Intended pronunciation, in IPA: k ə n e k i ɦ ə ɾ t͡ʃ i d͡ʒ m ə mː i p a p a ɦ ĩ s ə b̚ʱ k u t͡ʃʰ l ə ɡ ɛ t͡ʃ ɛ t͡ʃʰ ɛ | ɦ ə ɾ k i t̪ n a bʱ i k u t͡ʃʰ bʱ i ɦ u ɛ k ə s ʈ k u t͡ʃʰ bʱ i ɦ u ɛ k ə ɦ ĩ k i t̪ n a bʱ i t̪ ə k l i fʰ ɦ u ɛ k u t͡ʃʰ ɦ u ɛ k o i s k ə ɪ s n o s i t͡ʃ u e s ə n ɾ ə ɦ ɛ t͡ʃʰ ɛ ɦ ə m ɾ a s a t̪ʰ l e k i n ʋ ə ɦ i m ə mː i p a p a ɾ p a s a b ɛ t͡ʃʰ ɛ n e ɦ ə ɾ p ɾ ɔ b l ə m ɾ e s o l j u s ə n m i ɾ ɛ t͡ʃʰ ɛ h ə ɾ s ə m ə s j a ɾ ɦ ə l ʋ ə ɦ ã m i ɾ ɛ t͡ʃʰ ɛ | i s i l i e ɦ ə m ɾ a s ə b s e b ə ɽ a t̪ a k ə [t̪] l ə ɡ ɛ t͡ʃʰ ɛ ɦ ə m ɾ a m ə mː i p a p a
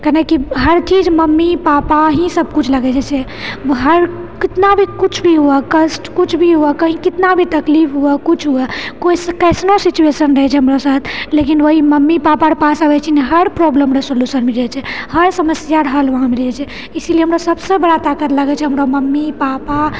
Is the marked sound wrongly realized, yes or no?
no